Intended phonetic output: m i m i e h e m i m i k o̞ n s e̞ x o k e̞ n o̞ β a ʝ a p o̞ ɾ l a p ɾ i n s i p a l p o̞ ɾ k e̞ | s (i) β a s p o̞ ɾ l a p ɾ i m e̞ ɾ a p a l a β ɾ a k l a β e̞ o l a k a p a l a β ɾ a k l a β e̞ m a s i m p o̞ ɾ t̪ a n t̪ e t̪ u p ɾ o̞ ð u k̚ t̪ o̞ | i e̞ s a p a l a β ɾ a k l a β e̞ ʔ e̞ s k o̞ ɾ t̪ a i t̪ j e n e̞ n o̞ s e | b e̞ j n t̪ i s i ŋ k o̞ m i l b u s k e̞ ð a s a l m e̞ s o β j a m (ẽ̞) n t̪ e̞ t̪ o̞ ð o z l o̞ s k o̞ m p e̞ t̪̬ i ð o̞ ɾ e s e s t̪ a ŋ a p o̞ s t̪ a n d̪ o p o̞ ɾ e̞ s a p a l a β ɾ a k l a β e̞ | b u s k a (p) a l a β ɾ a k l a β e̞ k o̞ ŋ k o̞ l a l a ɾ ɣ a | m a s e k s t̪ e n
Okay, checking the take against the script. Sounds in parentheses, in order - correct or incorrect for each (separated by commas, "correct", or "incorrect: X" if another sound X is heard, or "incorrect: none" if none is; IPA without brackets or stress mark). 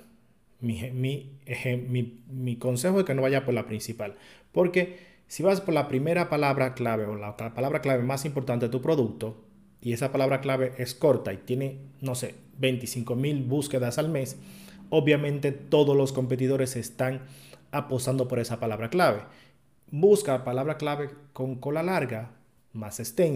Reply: correct, correct, correct